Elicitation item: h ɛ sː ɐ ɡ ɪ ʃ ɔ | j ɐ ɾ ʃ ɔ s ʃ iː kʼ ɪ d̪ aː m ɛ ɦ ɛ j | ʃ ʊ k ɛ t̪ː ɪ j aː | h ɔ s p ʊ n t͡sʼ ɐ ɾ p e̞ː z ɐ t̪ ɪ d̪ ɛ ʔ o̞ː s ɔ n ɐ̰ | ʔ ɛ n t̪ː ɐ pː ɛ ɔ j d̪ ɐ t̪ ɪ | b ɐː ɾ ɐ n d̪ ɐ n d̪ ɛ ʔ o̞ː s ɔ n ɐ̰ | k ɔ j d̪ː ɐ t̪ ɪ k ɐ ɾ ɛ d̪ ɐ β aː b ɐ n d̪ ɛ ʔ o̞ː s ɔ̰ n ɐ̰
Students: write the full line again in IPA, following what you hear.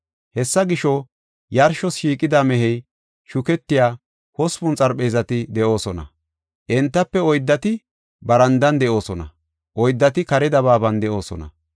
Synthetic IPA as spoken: h ɛ sː ɐ ɡ ɪ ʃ ɔ | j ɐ ɾ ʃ ɔ s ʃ iː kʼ ɪ d̪ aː m ɛ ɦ ɛ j | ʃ ʊ k ɛ t̪ː ɪ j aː | h ɔ s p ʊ n t͡sʼ ɐ ɾ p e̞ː z ɐ t̪ ɪ d̪ ɛ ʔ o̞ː s ɔ n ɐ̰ | ʔ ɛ n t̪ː ɐ pː ɛ ɔ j d̪ː ɐ t̪ ɪ | b ɐ ɾ ɐ n d̪ ɐ n d̪ ɛ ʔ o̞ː s ɔ n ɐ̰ | ʔ ɔ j d̪ː ɐ t̪ ɪ k ɐ ɾ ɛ d̪ ɐ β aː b ɐ n d̪ ɛ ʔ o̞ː s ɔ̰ n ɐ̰